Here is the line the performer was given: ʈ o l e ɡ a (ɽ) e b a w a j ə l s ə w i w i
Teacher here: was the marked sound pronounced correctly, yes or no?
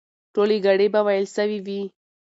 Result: yes